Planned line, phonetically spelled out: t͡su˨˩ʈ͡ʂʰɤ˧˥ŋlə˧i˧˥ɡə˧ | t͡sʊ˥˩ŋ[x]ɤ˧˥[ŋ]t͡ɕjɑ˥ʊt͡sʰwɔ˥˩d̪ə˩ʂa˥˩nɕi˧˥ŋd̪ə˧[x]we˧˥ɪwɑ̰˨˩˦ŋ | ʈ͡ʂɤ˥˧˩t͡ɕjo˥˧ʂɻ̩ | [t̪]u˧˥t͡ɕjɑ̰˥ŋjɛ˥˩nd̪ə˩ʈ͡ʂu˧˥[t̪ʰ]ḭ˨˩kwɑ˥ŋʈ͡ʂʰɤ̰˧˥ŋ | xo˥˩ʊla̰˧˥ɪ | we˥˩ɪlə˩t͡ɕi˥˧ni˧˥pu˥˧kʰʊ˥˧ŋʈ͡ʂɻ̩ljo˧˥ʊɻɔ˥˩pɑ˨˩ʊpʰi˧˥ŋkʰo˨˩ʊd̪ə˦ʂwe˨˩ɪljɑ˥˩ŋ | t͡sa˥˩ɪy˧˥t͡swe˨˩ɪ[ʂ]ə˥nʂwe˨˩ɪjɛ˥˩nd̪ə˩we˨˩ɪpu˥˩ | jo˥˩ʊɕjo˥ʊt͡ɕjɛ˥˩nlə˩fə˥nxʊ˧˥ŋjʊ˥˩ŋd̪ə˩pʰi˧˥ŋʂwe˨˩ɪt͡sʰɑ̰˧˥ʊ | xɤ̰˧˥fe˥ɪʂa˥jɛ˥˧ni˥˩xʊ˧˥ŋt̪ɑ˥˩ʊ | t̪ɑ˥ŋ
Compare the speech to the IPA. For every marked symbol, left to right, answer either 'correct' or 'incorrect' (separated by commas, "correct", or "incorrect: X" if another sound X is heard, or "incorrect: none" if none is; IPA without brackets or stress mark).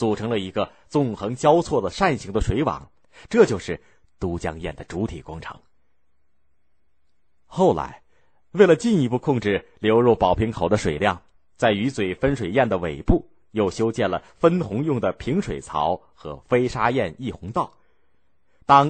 correct, correct, incorrect: ʂ, correct, correct, incorrect: f